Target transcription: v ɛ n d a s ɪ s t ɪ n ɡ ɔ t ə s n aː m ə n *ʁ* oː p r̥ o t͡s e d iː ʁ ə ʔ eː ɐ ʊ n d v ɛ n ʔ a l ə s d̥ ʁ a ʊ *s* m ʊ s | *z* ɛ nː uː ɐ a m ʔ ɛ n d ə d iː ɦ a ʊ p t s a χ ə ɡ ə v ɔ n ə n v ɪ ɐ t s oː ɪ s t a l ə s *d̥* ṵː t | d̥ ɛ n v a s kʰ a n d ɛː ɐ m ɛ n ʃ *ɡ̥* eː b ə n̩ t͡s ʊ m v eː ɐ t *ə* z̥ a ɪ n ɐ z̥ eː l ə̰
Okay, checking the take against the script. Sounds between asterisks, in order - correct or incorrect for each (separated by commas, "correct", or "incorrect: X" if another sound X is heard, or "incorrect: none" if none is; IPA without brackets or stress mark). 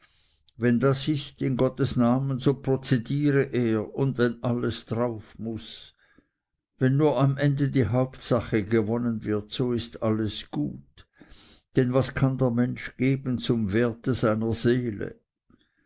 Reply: incorrect: z, incorrect: f, incorrect: v, incorrect: ɡ̥, correct, correct